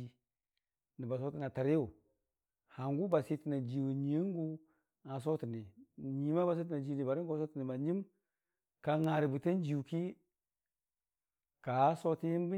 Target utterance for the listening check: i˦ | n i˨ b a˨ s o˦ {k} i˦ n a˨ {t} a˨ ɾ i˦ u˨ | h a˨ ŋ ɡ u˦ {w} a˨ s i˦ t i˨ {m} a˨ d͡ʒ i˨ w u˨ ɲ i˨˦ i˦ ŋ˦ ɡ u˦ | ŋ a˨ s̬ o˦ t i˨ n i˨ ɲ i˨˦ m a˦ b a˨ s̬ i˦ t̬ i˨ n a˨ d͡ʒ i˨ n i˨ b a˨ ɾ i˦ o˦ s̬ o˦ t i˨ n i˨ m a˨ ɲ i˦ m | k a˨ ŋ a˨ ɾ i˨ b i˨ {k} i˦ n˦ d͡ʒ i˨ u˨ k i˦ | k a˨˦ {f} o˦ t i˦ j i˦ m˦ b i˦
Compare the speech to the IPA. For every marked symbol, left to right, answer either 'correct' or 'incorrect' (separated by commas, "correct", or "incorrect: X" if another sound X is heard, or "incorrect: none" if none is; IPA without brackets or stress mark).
incorrect: t, correct, incorrect: b, incorrect: n, incorrect: t, incorrect: s